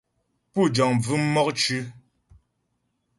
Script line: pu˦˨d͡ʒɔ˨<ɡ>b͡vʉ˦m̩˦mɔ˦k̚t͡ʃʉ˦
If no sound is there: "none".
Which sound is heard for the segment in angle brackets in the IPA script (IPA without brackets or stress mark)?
ŋ